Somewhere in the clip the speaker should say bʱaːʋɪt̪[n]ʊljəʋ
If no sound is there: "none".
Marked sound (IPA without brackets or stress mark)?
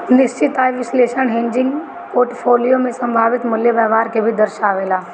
m